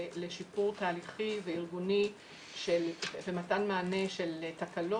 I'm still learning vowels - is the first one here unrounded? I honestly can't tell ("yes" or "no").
yes